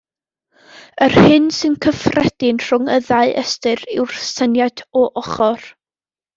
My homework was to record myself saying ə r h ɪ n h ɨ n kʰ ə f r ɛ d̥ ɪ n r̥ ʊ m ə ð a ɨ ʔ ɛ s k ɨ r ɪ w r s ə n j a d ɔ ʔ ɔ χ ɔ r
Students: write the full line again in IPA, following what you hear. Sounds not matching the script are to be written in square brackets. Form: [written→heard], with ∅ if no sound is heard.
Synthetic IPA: ə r h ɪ n [h→s] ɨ n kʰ ə f r ɛ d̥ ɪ n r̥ ʊ [m→ŋ] ə ð a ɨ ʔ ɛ s [k→t] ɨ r ɪ w r s ə n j a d ɔ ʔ ɔ χ ɔ r